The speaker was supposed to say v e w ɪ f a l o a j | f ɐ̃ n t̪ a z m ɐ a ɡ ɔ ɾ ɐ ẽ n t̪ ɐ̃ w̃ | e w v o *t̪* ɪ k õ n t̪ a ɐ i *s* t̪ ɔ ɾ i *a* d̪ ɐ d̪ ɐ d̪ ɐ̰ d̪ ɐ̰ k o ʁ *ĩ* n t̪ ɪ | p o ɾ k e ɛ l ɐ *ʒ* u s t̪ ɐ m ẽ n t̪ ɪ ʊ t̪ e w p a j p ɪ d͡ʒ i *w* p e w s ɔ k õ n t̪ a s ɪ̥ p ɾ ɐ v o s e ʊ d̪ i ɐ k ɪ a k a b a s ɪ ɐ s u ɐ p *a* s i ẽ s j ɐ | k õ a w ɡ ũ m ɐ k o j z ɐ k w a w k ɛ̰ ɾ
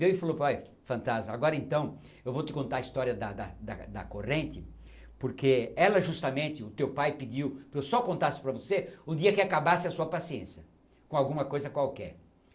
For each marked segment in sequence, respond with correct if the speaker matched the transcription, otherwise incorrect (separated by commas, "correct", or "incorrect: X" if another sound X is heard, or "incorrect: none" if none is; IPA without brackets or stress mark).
correct, correct, incorrect: ɐ, incorrect: ẽ, correct, correct, correct